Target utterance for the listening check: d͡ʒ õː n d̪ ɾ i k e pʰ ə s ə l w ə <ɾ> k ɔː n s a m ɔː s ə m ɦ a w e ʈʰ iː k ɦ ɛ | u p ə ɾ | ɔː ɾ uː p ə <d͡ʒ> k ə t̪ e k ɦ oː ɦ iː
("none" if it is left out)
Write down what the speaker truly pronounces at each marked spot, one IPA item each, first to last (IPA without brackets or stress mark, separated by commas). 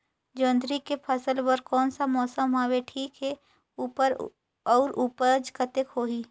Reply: ɾ, d͡ʒ